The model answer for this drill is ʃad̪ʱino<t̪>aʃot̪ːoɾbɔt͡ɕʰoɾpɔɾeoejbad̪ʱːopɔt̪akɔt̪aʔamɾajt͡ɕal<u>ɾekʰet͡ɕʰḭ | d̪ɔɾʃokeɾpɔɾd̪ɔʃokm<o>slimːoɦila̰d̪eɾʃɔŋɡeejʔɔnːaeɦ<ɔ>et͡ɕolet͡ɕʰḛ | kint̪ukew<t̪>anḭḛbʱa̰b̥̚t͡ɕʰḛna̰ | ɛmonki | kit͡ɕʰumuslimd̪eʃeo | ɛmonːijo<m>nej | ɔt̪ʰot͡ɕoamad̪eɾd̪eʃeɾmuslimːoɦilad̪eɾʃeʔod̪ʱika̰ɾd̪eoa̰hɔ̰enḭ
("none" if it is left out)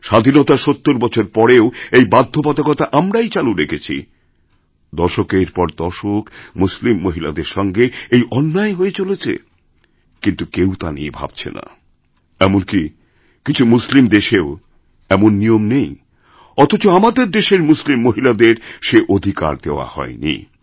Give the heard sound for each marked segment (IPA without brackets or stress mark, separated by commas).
t̪, u, u, o, t̪, m